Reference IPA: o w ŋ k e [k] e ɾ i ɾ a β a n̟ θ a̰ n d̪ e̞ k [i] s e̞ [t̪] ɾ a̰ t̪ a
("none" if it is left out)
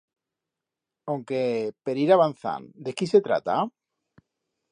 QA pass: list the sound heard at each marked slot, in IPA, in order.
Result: p, i, t̪

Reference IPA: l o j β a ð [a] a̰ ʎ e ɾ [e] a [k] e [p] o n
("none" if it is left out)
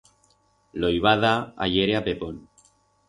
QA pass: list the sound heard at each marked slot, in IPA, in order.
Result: a, e, p, p

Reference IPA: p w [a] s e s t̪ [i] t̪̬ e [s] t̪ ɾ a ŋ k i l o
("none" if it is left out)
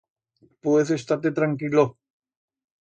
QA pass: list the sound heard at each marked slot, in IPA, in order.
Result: e, a, none

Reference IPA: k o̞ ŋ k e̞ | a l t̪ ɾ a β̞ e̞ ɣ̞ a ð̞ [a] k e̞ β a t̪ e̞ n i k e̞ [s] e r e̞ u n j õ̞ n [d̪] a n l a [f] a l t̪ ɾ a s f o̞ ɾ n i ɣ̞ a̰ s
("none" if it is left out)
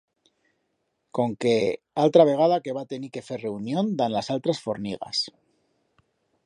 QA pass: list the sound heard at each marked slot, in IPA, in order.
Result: a, f, d̪, s

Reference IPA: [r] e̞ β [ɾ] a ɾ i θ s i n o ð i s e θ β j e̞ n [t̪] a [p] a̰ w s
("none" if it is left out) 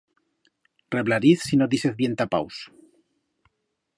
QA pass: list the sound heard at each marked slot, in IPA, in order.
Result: r, l, t̪, p

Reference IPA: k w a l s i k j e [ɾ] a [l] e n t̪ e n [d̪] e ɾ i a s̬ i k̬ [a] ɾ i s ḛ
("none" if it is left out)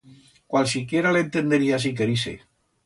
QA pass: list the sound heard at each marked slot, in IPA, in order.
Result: ɾ, l, d̪, e

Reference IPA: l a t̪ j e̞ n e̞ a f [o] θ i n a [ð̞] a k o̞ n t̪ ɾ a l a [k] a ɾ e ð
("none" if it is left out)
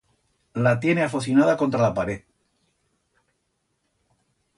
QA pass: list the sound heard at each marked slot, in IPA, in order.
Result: o, ð̞, p

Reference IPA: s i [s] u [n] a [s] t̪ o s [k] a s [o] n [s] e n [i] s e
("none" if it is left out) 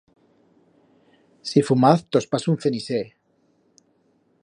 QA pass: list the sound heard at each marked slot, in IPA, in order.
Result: f, m, θ, p, u, θ, i

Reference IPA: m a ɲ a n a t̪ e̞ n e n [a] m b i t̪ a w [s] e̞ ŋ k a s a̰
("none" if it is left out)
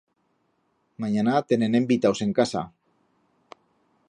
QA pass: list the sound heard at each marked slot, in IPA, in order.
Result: e, s

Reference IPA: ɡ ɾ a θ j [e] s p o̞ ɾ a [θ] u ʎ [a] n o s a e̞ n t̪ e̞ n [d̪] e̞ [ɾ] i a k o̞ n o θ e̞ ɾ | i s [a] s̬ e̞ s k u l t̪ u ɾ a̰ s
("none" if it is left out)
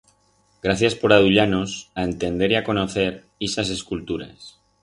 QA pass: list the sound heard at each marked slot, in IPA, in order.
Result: a, ð, a, d̪, ɾ, a

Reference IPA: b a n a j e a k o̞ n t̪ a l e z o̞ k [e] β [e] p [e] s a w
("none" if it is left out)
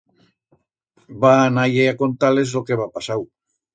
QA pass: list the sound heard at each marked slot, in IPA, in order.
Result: e, a, a

